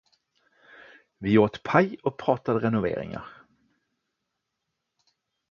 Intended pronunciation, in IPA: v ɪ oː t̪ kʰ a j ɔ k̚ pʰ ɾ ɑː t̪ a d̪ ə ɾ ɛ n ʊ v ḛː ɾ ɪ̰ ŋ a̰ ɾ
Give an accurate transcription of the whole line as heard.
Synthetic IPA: v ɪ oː t̪ pʰ a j ɔ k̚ pʰ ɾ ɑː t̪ a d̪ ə ɾ ɛ n ʊ v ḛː ɾ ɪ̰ ŋ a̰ ɾ